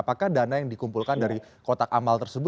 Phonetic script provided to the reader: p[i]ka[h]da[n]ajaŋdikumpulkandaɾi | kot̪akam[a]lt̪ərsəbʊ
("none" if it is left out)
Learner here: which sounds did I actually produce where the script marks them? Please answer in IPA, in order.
a, h, n, a

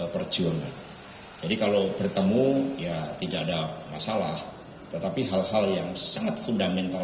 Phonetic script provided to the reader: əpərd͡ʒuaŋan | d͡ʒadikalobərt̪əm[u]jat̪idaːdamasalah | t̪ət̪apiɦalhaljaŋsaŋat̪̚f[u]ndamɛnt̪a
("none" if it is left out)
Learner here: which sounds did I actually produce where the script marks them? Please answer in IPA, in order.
u, u

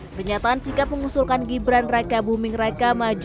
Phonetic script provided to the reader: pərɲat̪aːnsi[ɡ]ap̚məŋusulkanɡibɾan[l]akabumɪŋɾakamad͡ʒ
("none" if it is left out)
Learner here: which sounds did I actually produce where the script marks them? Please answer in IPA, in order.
k, r

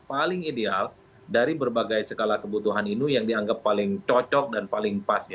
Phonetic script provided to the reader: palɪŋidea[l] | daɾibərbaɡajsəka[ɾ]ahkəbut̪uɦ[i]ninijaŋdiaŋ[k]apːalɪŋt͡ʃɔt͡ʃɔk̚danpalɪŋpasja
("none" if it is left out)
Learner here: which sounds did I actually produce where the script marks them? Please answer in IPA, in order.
l, l, a, ɡ

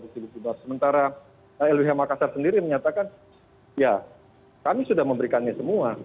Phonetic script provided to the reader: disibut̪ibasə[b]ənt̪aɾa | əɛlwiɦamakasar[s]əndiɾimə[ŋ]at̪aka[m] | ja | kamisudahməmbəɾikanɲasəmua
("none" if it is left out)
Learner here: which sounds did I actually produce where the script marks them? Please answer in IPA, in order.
m, s, ɲ, n

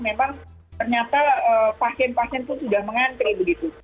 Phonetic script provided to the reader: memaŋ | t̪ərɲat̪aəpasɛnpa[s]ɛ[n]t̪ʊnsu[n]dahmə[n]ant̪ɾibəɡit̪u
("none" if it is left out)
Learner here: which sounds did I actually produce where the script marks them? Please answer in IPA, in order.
s, n, none, ŋ

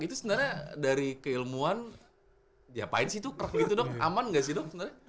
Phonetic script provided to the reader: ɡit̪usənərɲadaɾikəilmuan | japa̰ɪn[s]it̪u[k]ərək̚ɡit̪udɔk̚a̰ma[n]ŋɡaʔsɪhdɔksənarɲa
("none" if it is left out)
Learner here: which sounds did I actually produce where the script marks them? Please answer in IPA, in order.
s, k, n

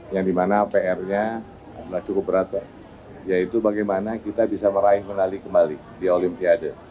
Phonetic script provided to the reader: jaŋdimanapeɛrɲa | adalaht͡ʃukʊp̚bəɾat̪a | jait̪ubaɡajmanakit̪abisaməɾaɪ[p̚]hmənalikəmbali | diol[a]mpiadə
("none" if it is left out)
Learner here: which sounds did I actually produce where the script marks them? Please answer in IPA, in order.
none, i

